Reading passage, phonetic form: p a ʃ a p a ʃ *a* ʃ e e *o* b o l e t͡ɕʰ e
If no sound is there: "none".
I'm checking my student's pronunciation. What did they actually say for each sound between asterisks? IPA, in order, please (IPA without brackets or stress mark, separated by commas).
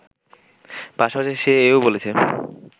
e, o